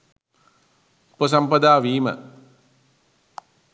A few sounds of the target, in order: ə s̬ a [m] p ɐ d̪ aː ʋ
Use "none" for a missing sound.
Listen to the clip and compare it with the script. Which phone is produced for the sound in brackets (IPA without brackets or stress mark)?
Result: m